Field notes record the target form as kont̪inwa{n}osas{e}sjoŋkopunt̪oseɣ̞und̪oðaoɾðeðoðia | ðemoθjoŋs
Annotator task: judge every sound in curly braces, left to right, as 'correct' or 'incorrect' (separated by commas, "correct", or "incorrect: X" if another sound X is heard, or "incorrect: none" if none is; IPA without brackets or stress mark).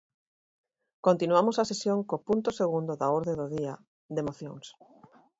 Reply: incorrect: m, correct